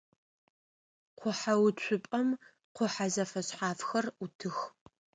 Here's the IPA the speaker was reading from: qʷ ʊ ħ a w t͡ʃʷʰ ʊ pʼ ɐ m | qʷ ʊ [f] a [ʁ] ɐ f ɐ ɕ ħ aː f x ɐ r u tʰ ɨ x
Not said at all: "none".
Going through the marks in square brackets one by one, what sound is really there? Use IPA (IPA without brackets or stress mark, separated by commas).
ħ, z